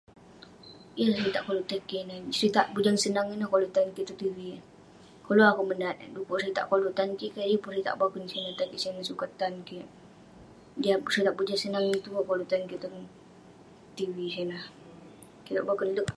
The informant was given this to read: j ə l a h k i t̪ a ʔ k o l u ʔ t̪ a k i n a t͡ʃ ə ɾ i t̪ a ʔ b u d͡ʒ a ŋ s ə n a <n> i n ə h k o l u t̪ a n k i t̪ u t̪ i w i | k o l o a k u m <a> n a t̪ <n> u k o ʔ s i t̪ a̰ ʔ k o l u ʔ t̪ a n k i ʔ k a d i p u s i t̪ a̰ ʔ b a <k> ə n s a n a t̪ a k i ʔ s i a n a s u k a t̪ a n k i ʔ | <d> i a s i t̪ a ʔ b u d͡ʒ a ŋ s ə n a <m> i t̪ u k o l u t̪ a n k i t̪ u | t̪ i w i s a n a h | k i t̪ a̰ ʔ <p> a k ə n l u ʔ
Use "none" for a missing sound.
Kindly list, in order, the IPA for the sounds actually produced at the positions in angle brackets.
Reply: ŋ, ə, d, k, d, ŋ, b

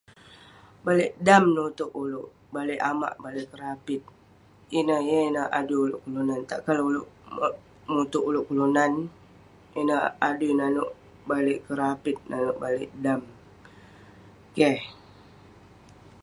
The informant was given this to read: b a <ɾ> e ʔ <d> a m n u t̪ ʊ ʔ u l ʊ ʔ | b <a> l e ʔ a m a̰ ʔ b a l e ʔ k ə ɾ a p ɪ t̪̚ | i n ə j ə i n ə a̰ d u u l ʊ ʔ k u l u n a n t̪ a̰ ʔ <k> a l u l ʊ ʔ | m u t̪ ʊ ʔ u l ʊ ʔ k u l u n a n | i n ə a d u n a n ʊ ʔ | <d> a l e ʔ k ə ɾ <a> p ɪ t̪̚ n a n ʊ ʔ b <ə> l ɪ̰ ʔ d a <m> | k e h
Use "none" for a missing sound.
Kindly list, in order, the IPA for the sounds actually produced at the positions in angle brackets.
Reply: l, d, a, k, b, a, a, m

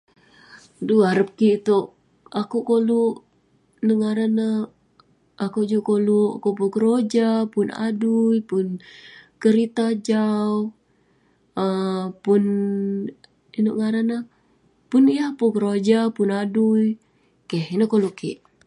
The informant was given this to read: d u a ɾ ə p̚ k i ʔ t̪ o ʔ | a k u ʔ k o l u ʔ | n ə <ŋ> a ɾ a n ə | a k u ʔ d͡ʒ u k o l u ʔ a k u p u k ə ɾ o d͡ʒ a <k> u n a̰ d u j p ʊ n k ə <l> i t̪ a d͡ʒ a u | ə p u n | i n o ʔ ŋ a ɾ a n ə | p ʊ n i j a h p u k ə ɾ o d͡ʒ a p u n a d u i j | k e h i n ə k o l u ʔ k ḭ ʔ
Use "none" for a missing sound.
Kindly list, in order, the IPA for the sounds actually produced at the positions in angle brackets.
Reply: ŋ, p, ɾ

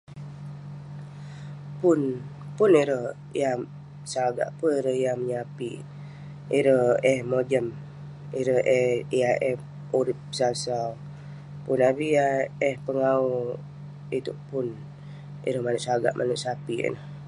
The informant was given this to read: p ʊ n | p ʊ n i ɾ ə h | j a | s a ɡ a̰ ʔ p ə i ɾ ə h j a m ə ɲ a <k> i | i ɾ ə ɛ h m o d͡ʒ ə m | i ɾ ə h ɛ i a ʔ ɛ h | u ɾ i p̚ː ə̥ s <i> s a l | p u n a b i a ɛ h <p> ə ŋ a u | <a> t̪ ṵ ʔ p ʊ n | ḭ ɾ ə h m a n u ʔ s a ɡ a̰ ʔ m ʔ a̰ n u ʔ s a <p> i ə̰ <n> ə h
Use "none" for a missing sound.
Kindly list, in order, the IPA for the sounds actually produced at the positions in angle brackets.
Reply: p, a, p, i, p, n

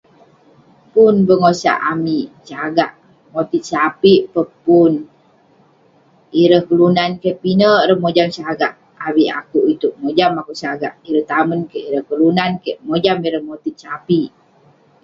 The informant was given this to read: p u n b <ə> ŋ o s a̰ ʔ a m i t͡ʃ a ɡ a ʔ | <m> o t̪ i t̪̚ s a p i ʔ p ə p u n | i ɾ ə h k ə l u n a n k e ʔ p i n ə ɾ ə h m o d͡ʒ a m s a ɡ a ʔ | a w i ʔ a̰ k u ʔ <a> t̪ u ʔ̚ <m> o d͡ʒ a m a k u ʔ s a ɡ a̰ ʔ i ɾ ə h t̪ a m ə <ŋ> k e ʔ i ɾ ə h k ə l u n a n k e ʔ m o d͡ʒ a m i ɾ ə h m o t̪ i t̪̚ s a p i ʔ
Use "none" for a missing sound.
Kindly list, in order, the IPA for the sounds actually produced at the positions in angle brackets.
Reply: ə, m, i, m, n

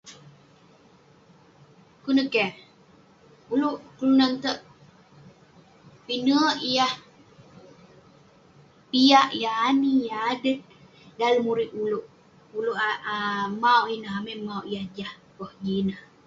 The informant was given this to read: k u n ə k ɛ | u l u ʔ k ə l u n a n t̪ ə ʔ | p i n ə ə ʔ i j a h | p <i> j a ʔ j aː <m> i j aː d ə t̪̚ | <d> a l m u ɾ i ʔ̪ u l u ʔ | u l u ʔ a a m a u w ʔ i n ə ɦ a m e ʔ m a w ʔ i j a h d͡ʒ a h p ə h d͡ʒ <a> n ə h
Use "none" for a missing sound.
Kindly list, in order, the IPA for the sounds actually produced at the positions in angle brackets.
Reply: i, n, d, i

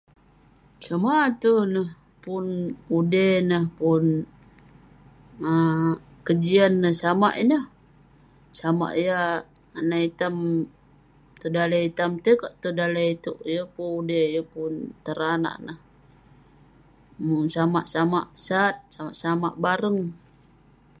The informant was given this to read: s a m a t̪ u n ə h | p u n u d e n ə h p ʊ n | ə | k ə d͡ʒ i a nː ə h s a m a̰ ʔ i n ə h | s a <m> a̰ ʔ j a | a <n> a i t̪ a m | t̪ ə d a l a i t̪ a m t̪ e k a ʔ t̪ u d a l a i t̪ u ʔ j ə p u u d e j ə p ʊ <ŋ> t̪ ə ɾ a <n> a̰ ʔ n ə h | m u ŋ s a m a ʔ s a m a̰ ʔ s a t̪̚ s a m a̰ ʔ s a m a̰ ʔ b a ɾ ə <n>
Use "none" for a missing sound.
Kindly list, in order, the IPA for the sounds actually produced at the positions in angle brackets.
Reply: m, n, n, n, ŋ

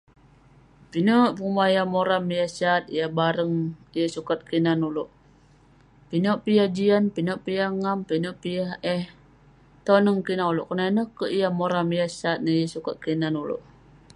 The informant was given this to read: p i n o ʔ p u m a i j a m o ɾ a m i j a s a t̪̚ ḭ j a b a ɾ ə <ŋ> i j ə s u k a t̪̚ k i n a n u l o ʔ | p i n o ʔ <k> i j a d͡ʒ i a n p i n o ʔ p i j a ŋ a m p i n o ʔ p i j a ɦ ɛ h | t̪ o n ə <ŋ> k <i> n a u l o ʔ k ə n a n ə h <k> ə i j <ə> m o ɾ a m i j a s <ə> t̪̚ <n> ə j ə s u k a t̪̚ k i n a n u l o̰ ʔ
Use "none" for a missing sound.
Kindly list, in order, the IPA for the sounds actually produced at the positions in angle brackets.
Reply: ŋ, p, ŋ, i, k, a, a, n

